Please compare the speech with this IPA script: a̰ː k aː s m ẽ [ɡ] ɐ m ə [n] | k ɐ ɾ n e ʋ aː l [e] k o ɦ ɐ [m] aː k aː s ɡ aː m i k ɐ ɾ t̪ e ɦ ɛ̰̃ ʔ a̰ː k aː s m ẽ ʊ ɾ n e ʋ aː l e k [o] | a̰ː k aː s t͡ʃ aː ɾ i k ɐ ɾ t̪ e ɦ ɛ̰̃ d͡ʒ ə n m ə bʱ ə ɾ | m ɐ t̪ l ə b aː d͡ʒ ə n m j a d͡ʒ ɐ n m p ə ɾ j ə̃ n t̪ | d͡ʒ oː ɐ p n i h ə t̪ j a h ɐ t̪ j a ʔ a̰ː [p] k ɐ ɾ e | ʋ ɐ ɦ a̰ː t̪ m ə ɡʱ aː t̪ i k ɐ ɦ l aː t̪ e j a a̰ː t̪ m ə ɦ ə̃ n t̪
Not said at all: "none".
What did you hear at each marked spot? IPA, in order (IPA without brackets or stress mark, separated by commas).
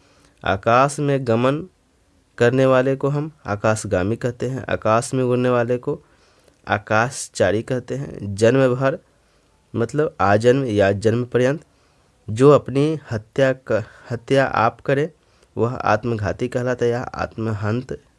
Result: ɡ, n, e, m, o, p